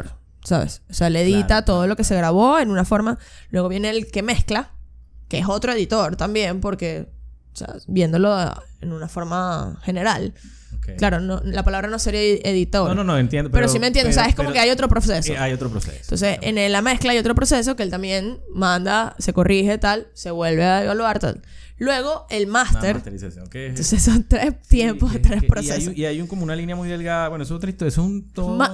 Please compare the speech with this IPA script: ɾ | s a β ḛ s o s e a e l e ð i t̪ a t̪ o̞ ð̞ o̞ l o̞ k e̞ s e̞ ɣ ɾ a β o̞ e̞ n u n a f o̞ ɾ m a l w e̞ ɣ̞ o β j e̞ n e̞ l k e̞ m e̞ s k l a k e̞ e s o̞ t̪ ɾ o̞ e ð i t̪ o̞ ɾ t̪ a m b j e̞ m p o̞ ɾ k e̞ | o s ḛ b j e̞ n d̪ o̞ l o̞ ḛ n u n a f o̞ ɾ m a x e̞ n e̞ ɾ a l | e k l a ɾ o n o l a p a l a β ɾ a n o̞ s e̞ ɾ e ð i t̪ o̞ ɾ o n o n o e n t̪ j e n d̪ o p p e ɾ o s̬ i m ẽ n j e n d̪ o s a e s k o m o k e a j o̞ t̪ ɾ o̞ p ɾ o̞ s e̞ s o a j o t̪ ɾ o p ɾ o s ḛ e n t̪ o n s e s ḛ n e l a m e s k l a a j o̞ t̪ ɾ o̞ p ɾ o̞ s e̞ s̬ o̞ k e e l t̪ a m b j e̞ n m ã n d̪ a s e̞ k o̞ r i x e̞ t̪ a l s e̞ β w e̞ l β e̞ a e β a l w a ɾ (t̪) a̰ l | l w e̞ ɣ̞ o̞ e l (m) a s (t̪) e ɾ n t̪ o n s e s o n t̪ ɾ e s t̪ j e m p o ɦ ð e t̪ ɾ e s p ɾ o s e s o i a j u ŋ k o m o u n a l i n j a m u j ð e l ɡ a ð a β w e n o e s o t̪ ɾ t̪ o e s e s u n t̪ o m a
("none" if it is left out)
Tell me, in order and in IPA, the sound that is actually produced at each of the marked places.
t̪, m, t̪

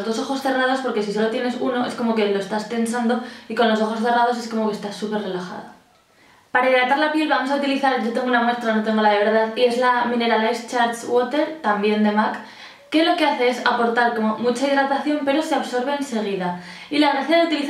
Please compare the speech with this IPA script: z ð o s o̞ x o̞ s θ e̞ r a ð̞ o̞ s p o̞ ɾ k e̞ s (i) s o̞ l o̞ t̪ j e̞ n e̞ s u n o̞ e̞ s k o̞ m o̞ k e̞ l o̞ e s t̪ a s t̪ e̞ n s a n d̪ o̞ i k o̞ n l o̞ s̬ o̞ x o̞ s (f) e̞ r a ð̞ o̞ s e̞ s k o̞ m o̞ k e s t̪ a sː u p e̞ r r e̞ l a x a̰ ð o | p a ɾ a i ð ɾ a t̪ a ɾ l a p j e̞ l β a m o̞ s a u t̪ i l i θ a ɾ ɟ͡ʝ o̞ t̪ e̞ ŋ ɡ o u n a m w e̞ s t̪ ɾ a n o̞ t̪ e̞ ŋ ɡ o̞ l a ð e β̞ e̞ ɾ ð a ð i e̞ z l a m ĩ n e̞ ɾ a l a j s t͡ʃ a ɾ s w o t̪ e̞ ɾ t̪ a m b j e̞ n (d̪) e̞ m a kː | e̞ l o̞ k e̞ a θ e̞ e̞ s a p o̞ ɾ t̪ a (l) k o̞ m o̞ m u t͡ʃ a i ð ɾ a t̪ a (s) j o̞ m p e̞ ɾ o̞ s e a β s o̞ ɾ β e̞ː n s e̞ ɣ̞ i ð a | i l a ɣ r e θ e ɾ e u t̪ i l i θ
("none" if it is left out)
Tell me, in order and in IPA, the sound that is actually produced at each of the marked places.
i, θ, d̪, ɾ, θ

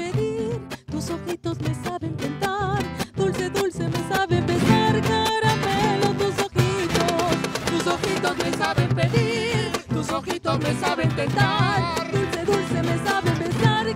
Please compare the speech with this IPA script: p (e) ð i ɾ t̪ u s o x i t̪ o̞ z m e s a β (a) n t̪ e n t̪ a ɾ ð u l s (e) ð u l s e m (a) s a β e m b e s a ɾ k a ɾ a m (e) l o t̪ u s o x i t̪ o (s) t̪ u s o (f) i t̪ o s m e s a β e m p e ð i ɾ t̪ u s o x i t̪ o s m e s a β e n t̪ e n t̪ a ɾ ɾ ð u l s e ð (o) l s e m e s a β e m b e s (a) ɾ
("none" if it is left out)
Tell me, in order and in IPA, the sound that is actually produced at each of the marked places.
e, e, e, e, e, s, x, u, a

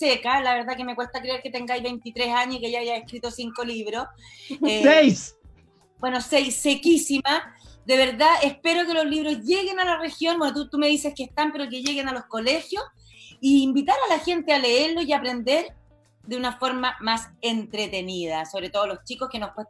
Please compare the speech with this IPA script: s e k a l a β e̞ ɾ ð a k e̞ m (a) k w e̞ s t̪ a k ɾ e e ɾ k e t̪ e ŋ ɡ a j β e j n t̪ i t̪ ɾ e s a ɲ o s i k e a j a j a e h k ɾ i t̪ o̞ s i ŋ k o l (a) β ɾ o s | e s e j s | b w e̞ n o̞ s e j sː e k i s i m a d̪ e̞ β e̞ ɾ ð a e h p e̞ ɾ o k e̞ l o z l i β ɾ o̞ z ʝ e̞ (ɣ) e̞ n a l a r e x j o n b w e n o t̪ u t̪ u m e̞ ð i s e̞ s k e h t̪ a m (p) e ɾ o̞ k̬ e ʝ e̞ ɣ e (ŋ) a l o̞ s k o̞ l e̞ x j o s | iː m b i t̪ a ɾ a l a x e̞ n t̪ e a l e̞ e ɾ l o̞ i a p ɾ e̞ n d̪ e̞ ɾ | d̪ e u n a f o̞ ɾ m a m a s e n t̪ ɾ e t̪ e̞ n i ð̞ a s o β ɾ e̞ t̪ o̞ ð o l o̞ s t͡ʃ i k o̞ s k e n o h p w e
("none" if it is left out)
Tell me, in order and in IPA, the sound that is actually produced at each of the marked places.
e, i, ɣ, p, n

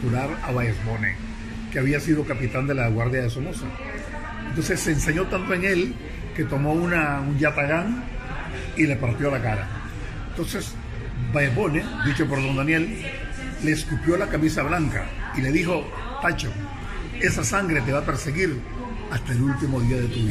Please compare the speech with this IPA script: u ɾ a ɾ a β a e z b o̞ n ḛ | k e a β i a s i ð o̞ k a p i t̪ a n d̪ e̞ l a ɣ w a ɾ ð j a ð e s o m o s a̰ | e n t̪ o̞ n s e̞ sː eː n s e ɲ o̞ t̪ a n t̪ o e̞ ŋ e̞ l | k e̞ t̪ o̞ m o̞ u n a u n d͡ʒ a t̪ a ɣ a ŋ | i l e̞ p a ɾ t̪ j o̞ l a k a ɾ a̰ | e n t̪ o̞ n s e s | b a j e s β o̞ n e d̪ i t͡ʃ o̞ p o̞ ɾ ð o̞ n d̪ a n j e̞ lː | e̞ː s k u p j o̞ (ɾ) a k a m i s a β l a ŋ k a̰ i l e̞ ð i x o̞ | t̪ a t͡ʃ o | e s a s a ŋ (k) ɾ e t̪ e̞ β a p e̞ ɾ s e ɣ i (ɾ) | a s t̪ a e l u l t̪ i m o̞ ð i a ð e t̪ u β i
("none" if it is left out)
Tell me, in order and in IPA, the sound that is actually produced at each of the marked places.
l, ɡ, ɾ

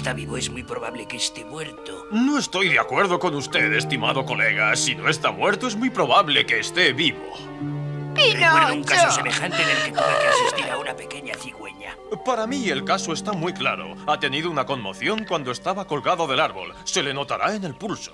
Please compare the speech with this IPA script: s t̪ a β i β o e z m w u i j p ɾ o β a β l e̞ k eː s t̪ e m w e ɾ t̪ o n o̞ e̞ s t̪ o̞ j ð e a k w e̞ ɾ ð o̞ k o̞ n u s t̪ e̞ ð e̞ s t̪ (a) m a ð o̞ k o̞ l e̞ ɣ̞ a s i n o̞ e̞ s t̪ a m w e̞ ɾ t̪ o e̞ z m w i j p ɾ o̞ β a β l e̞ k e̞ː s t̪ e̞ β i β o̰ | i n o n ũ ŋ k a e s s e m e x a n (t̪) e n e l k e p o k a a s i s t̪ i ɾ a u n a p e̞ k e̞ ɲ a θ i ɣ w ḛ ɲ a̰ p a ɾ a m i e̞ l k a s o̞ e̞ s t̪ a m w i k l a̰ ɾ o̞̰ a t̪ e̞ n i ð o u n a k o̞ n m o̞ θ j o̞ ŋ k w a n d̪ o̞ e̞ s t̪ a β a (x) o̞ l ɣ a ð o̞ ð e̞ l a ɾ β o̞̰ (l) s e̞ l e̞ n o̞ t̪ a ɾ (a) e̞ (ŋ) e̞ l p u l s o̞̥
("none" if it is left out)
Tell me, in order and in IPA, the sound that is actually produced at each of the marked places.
i, t̪, k, l, a, n

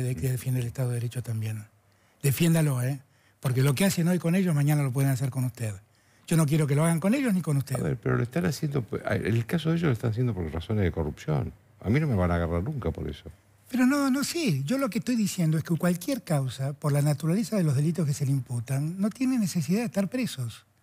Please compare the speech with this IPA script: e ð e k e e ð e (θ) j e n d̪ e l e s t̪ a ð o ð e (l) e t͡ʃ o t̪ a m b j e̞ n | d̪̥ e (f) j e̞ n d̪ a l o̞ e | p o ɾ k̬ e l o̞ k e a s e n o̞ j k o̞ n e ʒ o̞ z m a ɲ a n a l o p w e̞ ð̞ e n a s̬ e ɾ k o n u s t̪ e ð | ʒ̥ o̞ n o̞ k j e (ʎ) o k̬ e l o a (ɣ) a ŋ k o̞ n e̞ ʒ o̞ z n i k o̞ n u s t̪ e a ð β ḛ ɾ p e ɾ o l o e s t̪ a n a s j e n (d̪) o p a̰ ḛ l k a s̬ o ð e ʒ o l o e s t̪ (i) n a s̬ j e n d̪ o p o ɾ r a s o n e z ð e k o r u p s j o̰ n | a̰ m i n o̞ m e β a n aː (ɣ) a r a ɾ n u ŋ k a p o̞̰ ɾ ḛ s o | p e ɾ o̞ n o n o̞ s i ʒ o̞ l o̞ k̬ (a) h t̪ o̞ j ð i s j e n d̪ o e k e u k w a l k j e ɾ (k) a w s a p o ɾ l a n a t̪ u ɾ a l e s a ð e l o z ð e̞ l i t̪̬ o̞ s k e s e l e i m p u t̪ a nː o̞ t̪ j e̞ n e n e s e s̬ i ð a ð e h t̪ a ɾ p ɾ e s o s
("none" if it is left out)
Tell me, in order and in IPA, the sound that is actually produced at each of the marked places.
f, ɾ, f, ɾ, ɣ, d̪, a, ɣ, e, k

